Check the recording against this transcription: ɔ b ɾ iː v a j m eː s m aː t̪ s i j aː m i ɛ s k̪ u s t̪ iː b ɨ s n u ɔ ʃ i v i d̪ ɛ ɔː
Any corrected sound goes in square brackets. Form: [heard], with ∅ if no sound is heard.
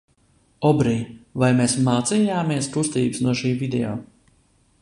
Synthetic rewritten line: ɔ b ɾ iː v a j m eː s m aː t̪ s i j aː m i ɛ s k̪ u s t̪ iː b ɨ s n u ɔ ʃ [iː] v i d̪ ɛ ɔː